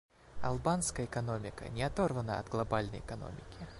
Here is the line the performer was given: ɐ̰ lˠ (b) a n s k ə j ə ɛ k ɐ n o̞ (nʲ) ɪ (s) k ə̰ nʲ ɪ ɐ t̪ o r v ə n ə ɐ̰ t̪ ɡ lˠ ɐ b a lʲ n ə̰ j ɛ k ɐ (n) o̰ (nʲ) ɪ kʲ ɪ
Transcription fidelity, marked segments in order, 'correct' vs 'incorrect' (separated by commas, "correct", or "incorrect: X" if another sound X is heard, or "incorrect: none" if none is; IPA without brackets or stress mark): correct, incorrect: mʲ, incorrect: none, correct, incorrect: mʲ